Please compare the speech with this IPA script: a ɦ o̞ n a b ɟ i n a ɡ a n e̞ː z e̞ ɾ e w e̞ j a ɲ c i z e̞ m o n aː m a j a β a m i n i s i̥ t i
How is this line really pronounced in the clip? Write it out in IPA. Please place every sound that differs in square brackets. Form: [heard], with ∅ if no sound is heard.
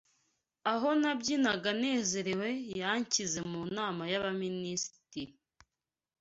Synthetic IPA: a ɦ o̞ n a b ɟ i n a ɡ a n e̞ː z e̞ ɾ e w e̞ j a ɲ c i z e̞ m [u] n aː m a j a β a m i n i s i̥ t i